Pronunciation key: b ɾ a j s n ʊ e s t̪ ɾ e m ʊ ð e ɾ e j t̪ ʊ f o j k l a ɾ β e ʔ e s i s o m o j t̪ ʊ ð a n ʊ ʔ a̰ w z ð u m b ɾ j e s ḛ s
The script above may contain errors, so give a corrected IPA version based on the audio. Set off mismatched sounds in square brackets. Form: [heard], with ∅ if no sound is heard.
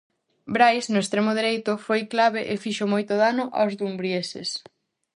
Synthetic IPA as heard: b ɾ a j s n ʊ e s t̪ ɾ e m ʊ ð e ɾ e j t̪ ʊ f o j k l a [∅] β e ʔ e [f] i [ʃ] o m o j t̪ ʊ ð a n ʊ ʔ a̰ w z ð u m b ɾ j e s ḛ s